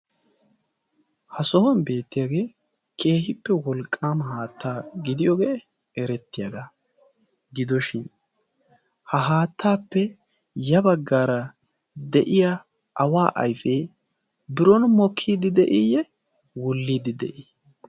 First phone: h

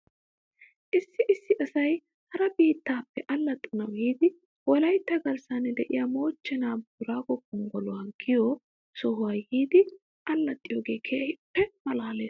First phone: ʔ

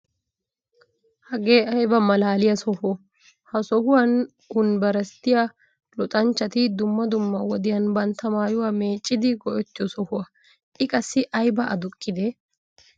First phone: h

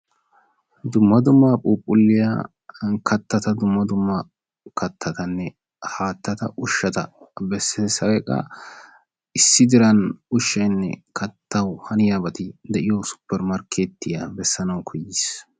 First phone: d̪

